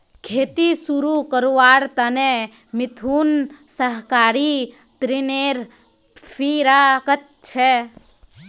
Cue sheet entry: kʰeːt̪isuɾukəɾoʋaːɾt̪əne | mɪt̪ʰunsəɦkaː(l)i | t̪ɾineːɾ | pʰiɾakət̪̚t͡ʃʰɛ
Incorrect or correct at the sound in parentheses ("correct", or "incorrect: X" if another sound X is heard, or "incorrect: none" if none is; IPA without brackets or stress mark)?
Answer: incorrect: ɾ